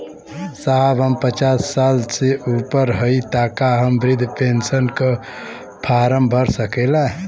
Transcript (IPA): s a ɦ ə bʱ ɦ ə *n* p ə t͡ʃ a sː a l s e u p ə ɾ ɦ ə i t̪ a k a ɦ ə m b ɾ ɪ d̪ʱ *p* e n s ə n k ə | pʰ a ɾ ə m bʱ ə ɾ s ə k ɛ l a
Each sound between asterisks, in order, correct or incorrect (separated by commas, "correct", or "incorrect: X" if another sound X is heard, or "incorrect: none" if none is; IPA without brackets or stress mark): incorrect: m, correct